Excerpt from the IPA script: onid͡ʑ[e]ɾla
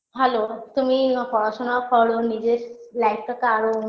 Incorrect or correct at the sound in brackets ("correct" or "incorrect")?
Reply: correct